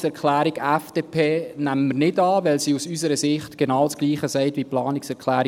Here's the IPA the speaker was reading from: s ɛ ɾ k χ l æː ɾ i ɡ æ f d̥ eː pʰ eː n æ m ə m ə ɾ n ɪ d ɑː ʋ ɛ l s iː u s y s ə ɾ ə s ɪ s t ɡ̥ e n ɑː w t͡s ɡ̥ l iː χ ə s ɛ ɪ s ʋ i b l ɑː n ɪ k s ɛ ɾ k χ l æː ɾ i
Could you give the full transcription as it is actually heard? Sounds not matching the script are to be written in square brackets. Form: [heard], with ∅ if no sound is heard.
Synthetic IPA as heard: s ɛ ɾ k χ l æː ɾ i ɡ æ f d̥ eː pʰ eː n æ m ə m ə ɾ n ɪ d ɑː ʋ ɛ l s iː u s y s ə ɾ ə s ɪ [χ] t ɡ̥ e n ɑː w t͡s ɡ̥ l iː χ ə s ɛ ɪ [t] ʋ i [p] l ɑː n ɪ k s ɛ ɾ k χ l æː ɾ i

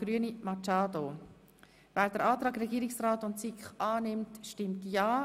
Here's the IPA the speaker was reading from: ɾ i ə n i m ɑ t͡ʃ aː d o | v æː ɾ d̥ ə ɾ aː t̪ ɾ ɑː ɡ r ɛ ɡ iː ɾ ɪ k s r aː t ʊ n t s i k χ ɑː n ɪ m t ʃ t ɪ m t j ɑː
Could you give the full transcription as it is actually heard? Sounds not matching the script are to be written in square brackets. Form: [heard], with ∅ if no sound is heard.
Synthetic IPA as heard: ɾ [y] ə n i m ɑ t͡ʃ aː d o | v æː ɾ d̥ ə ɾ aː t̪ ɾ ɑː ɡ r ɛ ɡ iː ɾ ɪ k s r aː t ʊ n t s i k χ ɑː n ɪ m t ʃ t ɪ m t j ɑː

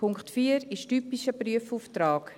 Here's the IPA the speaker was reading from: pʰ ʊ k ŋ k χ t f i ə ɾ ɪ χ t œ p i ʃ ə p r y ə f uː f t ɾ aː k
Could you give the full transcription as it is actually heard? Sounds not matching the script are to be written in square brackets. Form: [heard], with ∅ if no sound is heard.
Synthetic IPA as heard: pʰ ʊ [∅] ŋ k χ t f [iː] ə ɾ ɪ [ʃ] t [y] p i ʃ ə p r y ə f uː f t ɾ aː k

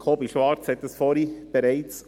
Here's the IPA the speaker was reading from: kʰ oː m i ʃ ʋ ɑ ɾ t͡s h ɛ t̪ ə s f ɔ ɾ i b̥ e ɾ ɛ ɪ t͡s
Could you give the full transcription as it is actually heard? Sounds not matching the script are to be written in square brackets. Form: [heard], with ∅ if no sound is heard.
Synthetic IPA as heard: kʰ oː [b] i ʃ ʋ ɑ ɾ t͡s h ɛ t̪ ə s f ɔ ɾ i b̥ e ɾ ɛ ɪ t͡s

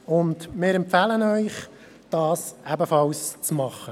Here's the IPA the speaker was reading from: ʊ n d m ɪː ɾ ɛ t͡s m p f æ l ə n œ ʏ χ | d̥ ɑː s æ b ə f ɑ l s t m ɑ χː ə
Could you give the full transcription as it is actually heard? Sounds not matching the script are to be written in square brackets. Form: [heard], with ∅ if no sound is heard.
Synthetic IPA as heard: ʊ n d m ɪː ɾ ɛ [∅] m p f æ l ə n œ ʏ χ | d̥ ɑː s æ b ə f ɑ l s [t͡s] m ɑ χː ə

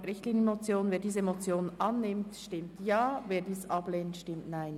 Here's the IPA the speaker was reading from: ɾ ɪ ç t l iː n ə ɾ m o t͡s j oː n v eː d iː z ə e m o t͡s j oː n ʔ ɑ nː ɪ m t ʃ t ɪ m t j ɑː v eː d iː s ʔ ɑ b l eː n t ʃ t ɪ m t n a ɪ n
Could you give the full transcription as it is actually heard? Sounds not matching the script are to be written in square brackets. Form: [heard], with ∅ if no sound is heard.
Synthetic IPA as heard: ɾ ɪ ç t l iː n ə [∅] m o t͡s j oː n v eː d iː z ə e m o t͡s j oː n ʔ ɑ nː ɪ m t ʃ t ɪ m t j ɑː v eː d iː s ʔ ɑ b l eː n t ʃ t ɪ m t n a ɪ n

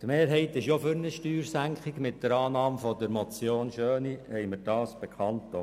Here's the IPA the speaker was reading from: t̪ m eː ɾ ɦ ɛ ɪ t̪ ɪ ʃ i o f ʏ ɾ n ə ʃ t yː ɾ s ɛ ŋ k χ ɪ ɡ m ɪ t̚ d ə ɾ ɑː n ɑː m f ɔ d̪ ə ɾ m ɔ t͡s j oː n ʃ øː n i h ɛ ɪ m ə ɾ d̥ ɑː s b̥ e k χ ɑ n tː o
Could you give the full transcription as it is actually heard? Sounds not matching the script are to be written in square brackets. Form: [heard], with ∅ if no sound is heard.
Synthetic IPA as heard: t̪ m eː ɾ ɦ ɛ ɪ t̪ ɪ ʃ [j] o f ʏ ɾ n ə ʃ t yː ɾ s [æ] ŋ k χ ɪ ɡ m ɪ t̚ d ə ɾ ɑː n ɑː m f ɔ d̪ ə ɾ m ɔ t͡s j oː n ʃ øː n i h ɛ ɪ m ə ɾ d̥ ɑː s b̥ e k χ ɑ n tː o

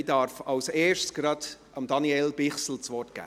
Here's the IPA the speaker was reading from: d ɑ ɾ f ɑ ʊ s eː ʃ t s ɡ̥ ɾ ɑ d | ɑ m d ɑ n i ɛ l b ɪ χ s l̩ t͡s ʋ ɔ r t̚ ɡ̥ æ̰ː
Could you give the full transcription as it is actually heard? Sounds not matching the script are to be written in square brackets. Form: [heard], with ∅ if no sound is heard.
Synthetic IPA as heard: d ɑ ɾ f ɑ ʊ s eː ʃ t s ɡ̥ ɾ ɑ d | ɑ m d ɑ n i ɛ l b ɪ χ s l̩ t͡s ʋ ɔ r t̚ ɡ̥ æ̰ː

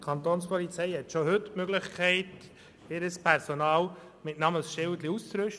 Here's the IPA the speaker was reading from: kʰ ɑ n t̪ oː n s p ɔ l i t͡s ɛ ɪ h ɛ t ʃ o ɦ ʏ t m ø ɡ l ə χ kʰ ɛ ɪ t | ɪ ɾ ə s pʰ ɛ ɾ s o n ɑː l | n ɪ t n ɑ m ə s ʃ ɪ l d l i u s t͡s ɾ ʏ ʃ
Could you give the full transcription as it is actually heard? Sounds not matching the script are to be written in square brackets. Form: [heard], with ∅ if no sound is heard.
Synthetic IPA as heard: kʰ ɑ n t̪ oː n s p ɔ l i t͡s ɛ ɪ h ɛ t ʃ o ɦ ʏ t m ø ɡ l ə χ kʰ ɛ ɪ t | ɪ ɾ ə s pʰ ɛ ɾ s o n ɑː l | [m] ɪ t n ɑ m ə s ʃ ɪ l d l i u s t͡s ɾ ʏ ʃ

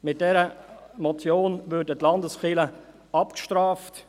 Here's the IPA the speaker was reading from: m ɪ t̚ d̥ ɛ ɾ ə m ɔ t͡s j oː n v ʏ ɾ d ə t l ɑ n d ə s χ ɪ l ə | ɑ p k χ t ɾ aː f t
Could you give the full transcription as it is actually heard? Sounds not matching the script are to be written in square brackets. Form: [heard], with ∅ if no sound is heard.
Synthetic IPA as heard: m ɪ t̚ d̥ ɛ ɾ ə m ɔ t͡s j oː n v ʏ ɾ d ə t l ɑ n d ə s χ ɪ l ə | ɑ p k [ʃ] t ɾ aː f t

